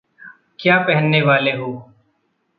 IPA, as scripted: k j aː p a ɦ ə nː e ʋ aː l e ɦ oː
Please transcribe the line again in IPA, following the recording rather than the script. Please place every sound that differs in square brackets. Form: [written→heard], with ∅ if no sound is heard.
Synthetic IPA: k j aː p [a→ɛ] ɦ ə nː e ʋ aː l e ɦ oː